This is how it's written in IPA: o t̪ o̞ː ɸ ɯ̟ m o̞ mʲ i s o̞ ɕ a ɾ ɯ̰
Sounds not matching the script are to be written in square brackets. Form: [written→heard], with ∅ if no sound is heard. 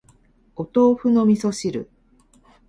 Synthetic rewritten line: o t̪ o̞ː ɸ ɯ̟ [m→n] o̞ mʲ i s o̞ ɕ [a→i] ɾ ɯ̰